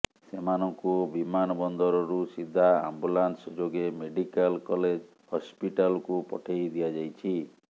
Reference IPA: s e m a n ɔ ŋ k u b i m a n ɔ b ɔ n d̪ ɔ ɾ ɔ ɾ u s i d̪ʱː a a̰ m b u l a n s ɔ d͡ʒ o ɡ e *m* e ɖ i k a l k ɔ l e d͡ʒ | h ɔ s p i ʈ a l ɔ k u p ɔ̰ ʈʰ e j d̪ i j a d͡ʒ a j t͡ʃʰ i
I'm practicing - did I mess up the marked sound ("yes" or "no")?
no